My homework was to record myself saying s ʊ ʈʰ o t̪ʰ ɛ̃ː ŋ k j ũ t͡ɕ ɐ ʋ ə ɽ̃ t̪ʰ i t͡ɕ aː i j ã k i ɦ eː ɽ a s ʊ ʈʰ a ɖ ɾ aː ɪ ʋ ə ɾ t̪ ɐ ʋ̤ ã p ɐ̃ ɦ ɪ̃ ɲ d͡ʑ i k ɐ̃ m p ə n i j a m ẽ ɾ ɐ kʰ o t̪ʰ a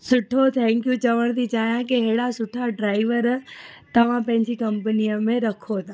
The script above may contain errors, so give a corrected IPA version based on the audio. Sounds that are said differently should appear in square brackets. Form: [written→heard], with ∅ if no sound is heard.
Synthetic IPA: s ʊ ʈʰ o t̪ʰ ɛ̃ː ŋ k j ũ t͡ɕ ɐ ʋ ə ɽ̃ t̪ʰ i t͡ɕ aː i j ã k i ɦ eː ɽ a s ʊ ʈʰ a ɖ ɾ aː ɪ ʋ ə ɾ t̪ ɐ ʋ̤ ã p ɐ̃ ɦ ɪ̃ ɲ d͡ʑ i k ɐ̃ m p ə n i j [a→ə] m ẽ ɾ ɐ kʰ o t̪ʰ a